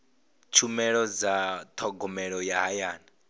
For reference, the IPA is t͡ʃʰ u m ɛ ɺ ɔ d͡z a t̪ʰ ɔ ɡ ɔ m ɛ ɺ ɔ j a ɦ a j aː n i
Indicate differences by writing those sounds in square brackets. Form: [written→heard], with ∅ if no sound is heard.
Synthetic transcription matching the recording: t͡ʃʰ u m ɛ ɺ ɔ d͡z a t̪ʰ ɔ ɡ ɔ m ɛ ɺ ɔ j a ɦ a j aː n [i→a]